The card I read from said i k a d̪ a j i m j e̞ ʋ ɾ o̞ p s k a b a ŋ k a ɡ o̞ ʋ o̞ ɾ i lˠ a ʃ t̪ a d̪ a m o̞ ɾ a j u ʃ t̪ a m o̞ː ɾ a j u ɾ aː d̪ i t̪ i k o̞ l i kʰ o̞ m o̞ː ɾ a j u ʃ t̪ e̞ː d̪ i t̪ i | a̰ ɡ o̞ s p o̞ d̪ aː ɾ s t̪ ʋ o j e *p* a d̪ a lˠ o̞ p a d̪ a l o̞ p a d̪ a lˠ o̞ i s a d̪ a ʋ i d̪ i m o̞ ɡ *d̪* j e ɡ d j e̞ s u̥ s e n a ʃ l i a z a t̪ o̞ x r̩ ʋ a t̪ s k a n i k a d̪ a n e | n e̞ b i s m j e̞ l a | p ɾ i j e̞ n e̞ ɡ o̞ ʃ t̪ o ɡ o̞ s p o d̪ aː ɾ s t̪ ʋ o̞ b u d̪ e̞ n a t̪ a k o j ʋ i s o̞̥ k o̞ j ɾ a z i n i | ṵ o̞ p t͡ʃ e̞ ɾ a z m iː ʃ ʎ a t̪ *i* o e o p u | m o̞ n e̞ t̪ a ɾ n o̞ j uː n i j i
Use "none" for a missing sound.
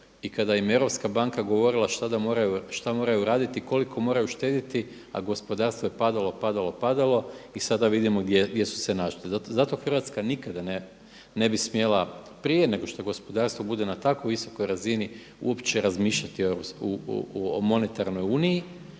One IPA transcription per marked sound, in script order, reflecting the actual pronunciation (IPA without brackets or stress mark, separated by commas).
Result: p, d̪, i